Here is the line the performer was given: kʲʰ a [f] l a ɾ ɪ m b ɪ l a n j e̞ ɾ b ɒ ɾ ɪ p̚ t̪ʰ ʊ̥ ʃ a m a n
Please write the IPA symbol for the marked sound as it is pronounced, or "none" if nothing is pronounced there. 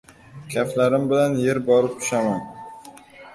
f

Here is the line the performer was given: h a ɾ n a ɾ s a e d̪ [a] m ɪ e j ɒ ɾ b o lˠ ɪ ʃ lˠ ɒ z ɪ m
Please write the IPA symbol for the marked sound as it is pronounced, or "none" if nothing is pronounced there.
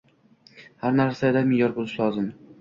a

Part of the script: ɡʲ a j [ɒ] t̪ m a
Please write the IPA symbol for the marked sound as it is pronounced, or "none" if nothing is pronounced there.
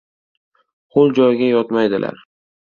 ɒ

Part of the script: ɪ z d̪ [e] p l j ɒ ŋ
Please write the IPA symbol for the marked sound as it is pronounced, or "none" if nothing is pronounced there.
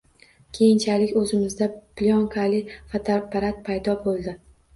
a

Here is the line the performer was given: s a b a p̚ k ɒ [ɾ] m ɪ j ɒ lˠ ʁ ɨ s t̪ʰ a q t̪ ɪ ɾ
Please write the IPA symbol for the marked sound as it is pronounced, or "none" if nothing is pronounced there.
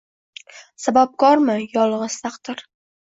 ɾ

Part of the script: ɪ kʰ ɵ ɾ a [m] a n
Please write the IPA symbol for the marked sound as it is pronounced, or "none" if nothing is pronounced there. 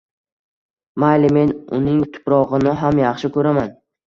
m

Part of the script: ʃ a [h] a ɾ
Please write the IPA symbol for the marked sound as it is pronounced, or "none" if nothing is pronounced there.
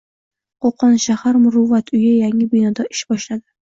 h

